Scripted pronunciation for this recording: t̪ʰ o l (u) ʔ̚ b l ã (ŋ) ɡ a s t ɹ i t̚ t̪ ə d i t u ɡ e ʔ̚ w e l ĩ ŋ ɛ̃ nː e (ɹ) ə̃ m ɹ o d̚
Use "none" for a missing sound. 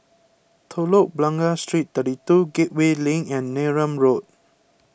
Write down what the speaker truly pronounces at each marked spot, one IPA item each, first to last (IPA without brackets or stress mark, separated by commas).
o, ŋ, ɹ